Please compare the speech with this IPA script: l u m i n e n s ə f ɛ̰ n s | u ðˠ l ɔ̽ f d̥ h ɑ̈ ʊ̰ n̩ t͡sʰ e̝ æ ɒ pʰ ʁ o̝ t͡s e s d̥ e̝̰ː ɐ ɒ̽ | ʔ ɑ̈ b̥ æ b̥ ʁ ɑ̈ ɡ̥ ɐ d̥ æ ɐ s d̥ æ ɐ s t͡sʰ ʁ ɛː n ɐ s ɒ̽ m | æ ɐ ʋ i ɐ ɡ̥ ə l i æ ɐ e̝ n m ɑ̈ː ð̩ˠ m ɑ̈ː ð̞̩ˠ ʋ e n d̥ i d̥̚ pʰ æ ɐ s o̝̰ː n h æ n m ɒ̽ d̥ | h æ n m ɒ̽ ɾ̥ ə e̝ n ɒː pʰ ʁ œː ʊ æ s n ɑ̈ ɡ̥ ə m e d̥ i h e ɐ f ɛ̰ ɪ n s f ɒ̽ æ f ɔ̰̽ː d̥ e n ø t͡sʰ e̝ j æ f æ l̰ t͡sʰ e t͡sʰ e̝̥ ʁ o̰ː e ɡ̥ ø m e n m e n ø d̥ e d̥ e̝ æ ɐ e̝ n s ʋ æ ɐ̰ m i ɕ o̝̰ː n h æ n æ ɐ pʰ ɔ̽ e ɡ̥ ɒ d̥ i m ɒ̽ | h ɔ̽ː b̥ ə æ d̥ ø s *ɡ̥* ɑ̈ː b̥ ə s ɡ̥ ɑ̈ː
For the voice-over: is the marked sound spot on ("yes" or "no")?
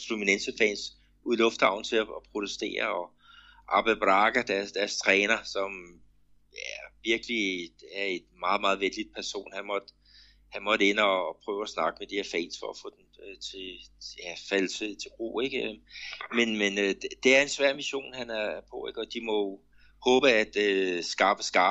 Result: yes